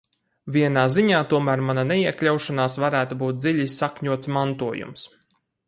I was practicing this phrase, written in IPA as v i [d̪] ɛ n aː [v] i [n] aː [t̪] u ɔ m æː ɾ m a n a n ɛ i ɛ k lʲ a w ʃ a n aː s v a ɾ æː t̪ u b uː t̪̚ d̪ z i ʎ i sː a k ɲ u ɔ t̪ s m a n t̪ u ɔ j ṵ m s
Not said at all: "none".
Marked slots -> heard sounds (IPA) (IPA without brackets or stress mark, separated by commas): none, z, ɲ, t̪